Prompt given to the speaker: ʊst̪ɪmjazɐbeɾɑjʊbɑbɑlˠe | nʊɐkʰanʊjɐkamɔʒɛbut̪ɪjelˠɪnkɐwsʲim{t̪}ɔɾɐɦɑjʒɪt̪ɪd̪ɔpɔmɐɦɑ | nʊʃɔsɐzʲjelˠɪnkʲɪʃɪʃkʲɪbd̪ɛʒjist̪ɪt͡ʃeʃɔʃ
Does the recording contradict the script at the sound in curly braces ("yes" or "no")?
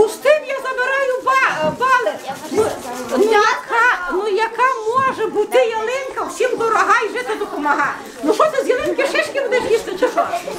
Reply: yes